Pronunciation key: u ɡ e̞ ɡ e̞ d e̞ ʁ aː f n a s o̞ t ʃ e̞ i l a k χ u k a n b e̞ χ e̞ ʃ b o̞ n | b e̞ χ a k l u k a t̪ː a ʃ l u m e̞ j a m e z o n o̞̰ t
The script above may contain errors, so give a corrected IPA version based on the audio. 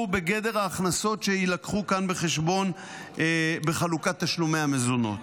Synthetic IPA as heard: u b e̞ ɡ e̞ d e̞ ʁ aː χ n a s o̞ t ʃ e̞ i l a k χ u k a n b e̞ χ e̞ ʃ b o̞ n | b e̞ χ a l u k a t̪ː a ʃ l u m e̞ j a m e z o n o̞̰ t